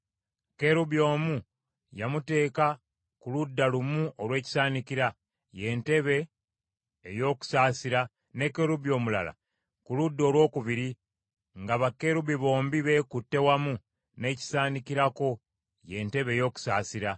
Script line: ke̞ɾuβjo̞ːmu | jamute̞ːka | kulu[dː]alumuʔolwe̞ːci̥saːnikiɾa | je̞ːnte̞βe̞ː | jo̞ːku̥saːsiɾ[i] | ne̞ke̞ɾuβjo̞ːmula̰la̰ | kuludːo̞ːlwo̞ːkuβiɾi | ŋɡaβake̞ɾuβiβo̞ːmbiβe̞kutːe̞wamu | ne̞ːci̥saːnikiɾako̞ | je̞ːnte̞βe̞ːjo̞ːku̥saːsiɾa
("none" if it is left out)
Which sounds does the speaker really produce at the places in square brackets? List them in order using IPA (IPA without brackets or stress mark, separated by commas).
dː, a